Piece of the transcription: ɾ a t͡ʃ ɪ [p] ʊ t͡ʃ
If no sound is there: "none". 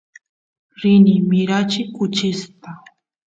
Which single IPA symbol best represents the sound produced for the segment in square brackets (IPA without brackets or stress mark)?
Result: k